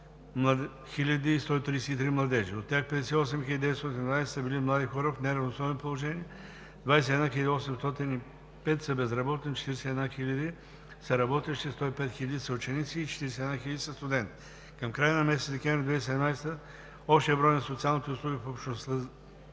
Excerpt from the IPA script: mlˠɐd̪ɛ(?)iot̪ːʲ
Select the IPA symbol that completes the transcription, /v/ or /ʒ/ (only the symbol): ʒ